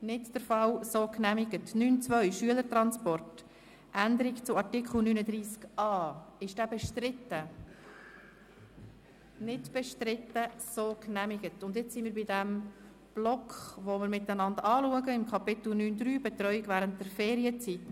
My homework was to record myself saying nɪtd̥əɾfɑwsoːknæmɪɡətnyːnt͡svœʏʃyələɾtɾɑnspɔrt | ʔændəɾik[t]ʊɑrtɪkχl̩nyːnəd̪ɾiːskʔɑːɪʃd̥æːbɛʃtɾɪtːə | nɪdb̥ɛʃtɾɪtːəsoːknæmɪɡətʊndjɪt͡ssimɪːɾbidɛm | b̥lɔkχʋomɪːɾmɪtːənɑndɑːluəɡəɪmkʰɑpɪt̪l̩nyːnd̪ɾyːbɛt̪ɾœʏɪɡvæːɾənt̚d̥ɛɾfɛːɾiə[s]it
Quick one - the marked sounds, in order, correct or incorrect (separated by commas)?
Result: incorrect, incorrect